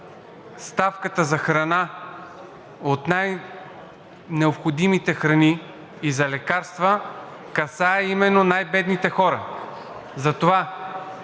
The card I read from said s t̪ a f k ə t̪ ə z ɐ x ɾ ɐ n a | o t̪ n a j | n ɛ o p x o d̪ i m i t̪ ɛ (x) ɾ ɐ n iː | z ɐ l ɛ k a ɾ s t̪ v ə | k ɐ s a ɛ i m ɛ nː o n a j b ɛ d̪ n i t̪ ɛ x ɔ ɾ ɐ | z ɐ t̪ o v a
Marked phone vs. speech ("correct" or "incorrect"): correct